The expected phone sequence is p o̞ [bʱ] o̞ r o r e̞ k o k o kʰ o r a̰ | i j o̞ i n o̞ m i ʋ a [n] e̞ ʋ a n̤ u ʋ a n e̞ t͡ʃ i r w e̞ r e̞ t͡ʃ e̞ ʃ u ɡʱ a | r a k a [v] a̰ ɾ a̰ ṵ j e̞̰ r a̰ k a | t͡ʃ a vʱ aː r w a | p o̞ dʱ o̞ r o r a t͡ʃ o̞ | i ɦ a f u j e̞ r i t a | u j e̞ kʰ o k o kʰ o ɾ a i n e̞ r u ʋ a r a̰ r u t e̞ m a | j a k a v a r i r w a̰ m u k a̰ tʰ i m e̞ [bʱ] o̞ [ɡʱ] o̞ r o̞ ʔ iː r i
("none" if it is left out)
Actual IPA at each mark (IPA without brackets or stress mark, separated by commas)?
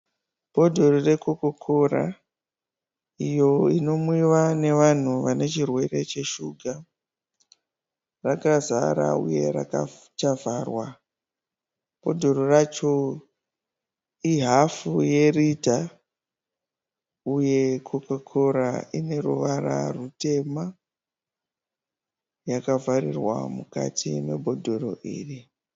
dʱ, n, z, bʱ, dʱ